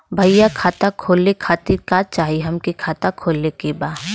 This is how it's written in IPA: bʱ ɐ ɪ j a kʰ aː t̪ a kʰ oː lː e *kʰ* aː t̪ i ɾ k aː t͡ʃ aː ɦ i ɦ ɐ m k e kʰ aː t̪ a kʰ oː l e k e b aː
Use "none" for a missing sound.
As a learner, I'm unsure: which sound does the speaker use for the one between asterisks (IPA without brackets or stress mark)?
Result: kʰ